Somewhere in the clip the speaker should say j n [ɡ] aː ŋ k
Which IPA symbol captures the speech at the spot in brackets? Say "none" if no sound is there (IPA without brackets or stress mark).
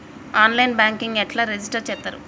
b